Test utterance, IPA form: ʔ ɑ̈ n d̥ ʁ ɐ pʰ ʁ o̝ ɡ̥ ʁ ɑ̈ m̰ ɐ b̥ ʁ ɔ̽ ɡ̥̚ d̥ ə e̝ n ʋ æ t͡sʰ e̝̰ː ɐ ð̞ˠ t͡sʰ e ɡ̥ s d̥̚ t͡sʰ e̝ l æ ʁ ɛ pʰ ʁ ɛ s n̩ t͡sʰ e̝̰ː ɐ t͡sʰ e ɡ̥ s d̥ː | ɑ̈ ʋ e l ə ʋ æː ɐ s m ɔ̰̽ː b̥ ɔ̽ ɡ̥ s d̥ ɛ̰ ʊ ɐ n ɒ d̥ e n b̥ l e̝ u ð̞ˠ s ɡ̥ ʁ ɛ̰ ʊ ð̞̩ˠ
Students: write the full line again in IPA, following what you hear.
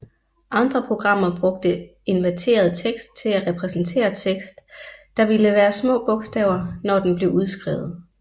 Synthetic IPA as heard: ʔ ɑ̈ n d̥ ʁ ɐ pʰ ʁ o̝ ɡ̥ ʁ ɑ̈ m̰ ɐ b̥ ʁ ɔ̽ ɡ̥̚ d̥ ə e̝ n ʋ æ t͡sʰ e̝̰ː ɐ ð̞ˠ t͡sʰ e ɡ̥ s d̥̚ t͡sʰ e̝ l æ ʁ ɛ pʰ ʁ ɛ s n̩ t͡sʰ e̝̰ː ɐ t͡sʰ e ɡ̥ s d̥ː | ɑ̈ ʋ i l ə ʋ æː ɐ s m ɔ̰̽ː b̥ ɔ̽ ɡ̥ s d̥ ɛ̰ ʊ ɐ n ɒ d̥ e n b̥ l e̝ u ð̞ˠ s ɡ̥ ʁ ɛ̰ ʊ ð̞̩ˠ